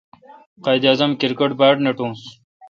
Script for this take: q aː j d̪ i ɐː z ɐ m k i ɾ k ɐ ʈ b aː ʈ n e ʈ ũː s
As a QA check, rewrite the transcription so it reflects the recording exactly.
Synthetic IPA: q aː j d̪ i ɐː z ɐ m k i ɾ k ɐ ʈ b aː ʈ n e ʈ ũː s